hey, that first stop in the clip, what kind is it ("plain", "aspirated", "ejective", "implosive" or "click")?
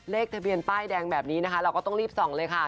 plain